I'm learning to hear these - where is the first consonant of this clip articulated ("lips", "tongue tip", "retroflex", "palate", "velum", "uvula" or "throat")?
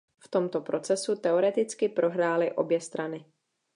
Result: lips